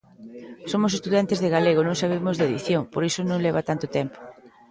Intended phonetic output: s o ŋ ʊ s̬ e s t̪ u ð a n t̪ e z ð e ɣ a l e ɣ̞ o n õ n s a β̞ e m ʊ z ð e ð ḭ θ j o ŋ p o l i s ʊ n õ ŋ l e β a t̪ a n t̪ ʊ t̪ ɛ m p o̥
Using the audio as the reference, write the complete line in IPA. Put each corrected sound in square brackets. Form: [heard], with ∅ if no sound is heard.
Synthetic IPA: s o [m] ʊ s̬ e s t̪ u ð a n t̪ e z ð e ɣ a l e ɣ̞ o n õ [ŋ] s a β̞ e m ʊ z ð e ð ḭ θ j o ŋ p o [ɾ] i s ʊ n õ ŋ l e β a t̪ a n t̪ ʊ t̪ ɛ m p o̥

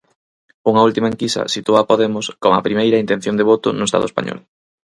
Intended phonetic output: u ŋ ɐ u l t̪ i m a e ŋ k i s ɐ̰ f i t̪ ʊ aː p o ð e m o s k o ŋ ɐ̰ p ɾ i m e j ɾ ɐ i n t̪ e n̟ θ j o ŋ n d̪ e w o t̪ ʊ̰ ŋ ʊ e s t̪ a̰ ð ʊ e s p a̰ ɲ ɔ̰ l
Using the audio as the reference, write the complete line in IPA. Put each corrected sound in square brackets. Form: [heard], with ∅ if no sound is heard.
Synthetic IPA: u ŋ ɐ u l t̪ i m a e ŋ k i s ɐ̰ [s] i t̪ [u] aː p o ð e m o s k o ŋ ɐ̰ p ɾ i m e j ɾ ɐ i n t̪ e n̟ θ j o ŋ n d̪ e [β] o t̪ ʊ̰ [n] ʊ e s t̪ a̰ ð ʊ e s p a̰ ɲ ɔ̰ l

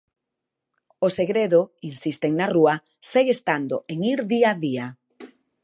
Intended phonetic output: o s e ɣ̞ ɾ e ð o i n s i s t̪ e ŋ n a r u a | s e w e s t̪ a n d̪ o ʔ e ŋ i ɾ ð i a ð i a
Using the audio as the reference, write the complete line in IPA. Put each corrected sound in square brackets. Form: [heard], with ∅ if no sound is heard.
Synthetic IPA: o s e ɣ̞ ɾ e ð o i n s i s t̪ e ŋ n a r u a | s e [ɣ] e s t̪ a n d̪ o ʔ e ŋ i ɾ ð i a ð i a

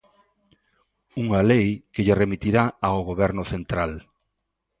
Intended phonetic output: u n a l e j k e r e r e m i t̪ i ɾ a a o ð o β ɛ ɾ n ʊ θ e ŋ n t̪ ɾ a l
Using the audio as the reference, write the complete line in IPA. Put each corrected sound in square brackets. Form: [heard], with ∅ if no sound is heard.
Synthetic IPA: u [ŋ] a l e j k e [ʎ] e r e m i t̪ i ɾ a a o [ɣ] o β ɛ ɾ n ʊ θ e [∅] n t̪ ɾ a l

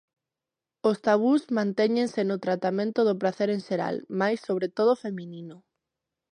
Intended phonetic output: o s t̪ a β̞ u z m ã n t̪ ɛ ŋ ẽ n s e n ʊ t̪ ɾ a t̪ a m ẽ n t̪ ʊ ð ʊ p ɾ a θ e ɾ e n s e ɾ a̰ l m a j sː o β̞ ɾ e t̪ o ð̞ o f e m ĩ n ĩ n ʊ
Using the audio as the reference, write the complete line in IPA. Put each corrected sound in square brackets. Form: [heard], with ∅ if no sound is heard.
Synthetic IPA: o s t̪ a β̞ u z m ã n t̪ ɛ [ɲ] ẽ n s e n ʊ t̪ ɾ a t̪ a m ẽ n t̪ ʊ ð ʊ p ɾ a θ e ɾ e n [ʃ] e ɾ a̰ l m a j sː o β̞ ɾ e t̪ o ð̞ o f e m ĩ n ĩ n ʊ

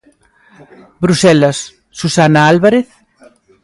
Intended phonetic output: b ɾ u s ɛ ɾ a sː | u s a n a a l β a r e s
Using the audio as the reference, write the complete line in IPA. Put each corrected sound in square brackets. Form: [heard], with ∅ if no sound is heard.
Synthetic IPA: b ɾ u s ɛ [l] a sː | u s a n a a l β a [ɾ] e [θ]

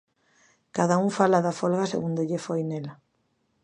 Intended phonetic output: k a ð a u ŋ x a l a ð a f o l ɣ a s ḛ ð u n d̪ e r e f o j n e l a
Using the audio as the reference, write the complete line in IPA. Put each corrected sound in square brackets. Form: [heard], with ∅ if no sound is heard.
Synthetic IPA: k a ð a u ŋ [f] a l a ð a f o l ɣ a s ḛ [ɣ] u n d̪ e [ʎ] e f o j n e l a

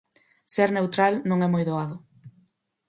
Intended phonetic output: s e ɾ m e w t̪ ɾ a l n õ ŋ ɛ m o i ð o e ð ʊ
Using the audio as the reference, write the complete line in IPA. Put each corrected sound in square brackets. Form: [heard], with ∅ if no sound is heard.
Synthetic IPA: s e ɾ [n] e w t̪ ɾ a l n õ ŋ ɛ m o [j] ð o [a] ð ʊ

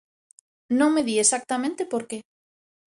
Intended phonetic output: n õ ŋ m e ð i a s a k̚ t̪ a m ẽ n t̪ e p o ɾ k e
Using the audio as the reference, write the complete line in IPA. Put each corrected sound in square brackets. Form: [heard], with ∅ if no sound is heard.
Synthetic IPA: n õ ŋ m e ð i [e] s a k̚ t̪ a m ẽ n t̪ e p o ɾ k e

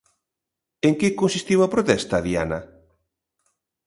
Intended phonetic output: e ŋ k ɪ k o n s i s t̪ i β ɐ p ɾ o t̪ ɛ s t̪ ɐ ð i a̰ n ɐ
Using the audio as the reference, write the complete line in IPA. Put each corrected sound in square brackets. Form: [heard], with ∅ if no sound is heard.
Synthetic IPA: e ŋ k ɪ k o n s i s t̪ i [w] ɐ p ɾ o t̪ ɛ s t̪ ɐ ð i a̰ n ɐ

